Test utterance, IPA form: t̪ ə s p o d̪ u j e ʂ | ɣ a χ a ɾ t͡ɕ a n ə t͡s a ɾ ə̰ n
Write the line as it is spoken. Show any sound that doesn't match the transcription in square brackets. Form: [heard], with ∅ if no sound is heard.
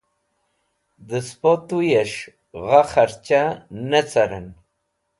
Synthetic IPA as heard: [d̪] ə s p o [t̪] u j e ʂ | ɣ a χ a ɾ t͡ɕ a n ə t͡s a ɾ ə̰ n